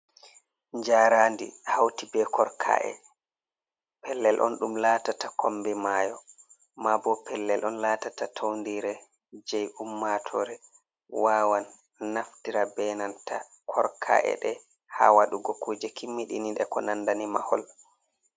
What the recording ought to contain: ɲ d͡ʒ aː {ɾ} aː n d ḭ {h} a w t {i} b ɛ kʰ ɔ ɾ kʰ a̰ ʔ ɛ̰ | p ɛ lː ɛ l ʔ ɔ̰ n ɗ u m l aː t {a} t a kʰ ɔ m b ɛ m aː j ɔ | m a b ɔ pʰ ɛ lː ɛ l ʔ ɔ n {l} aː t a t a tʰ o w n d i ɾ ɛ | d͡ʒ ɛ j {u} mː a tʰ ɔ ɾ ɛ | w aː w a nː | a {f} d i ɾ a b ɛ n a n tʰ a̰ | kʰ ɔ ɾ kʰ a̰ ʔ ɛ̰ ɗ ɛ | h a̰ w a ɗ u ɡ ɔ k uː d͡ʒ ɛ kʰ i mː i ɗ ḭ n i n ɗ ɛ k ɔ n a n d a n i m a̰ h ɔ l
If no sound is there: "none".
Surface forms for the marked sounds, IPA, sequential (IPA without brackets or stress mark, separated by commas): ɾ, h, i, a, l, u, f